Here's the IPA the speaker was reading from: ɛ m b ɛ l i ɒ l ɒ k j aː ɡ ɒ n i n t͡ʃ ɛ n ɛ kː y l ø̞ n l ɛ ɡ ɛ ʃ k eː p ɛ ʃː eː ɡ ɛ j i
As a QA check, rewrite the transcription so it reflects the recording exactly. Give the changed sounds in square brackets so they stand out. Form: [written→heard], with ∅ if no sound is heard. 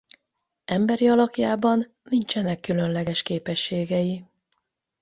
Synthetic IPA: ɛ m b ɛ [l→ɾ] i ɒ l ɒ k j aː [ɡ→b] ɒ [n→nː] i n t͡ʃ ɛ n ɛ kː y l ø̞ n l ɛ ɡ ɛ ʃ k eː p ɛ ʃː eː ɡ ɛ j i